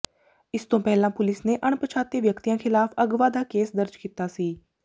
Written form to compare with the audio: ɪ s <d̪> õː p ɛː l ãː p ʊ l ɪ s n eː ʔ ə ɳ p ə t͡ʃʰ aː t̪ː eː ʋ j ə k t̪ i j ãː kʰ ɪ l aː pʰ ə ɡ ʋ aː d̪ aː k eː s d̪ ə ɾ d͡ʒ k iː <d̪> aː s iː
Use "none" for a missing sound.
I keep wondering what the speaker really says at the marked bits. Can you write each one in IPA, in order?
t̪, t̪

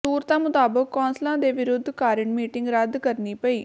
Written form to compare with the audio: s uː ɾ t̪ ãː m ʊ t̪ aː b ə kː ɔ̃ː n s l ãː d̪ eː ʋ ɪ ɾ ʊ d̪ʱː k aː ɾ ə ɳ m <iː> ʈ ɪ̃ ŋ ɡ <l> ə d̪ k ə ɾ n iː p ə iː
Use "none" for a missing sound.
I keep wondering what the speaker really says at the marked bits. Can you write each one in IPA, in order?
iː, ɾ

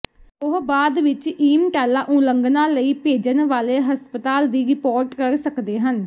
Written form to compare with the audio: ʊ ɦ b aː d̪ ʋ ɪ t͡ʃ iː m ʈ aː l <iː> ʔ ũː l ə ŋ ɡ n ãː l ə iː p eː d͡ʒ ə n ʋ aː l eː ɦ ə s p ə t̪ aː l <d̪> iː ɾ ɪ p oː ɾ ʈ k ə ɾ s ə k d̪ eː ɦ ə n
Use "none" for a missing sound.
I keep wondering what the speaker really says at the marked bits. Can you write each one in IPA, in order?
aː, d̪

